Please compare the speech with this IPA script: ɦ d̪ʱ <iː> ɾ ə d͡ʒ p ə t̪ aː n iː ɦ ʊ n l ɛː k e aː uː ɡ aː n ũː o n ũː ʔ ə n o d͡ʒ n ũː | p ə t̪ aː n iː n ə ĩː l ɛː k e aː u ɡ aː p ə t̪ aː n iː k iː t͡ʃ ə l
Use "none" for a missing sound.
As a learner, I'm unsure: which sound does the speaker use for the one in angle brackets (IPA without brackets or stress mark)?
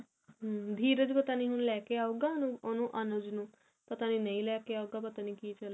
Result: iː